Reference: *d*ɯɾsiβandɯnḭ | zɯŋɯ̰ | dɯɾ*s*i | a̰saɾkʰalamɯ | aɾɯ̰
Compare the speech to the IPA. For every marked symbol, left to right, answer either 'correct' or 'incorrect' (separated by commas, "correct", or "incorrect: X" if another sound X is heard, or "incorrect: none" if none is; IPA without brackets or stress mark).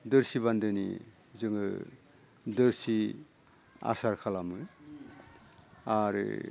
correct, correct